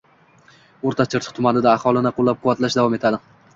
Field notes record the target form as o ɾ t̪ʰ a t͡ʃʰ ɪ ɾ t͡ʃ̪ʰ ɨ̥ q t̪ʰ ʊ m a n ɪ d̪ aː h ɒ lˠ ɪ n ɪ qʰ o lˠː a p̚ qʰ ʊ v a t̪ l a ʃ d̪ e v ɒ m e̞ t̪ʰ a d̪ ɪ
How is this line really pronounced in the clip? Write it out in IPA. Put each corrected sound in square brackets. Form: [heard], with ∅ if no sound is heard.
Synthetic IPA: o ɾ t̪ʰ a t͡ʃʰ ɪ ɾ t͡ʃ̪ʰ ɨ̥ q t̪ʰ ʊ m a n ɪ d̪ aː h ɒ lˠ ɪ n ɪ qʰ o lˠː a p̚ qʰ ʊ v a t̪ l a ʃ d̪ [a] v ɒ m e̞ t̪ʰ a d̪ ɪ